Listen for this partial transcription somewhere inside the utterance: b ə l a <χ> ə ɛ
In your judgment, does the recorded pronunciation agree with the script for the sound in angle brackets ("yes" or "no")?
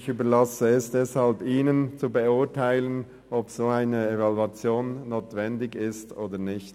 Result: no